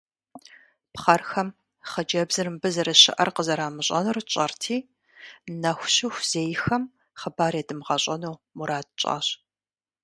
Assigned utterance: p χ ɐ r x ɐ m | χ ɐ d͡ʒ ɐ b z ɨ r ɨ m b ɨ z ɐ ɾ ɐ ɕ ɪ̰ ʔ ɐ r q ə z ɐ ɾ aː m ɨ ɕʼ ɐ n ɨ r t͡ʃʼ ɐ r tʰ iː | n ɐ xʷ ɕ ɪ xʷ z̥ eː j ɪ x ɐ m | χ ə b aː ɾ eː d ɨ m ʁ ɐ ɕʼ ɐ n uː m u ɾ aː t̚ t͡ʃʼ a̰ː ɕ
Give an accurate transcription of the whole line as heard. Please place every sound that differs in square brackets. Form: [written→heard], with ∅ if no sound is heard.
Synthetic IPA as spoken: p χ ɐ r x ɐ m | χ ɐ d͡ʒ ɐ b z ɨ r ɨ m b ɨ z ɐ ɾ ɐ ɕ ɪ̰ ʔ ɐ r q ə z ɐ ɾ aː m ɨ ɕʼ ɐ n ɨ r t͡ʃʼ ɐ r tʰ iː | n ɐ xʷ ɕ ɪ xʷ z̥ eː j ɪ x ɐ m | χ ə b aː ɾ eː d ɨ m ʁ ɐ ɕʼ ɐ n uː m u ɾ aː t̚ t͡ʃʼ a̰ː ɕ